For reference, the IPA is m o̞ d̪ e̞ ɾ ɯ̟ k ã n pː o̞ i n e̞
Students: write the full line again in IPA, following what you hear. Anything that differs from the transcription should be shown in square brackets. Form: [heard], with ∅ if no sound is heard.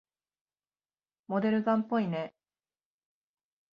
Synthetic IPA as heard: m o̞ d̪ e̞ ɾ ɯ̟ [ɡ] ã [m] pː o̞ i n e̞